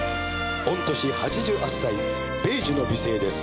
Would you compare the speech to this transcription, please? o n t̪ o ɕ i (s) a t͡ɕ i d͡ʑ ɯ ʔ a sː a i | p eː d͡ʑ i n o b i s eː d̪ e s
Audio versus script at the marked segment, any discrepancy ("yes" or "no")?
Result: yes